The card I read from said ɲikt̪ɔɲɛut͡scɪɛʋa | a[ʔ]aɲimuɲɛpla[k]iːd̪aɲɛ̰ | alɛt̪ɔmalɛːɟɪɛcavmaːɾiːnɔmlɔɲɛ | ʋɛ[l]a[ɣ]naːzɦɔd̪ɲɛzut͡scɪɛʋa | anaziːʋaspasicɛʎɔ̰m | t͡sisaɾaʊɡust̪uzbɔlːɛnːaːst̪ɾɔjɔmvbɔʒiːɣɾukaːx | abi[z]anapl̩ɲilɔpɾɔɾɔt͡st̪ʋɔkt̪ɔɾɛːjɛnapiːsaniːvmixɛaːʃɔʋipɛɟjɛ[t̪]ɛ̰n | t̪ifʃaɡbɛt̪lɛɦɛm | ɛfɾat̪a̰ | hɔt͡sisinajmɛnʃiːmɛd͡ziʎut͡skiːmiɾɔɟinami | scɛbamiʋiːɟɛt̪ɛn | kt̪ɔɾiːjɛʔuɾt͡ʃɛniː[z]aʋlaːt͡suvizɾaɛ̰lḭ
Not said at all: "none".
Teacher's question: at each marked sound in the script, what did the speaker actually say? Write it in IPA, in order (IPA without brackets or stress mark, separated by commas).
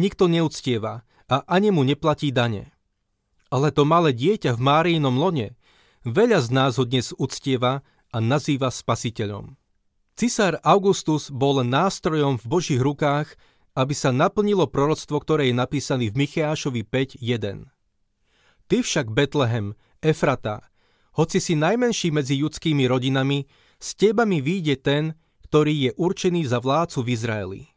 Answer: ʔ, c, ʎ, z, s, d̪, z